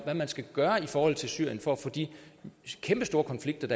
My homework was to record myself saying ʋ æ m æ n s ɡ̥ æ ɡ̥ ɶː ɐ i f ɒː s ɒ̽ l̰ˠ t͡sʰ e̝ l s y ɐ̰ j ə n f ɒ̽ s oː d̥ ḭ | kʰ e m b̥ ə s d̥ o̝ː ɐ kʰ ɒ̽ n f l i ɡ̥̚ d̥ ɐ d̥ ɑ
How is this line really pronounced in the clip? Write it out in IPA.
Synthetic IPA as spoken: ʋ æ m æ n s ɡ̥ æ ɡ̥ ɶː ɐ i f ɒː h ɒ̽ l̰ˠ t͡sʰ e̝ l s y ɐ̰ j ə n f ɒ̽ f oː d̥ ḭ | kʰ e m b̥ ə s d̥ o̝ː ɐ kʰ ɒ̽ n f l i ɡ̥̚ d̥ ɐ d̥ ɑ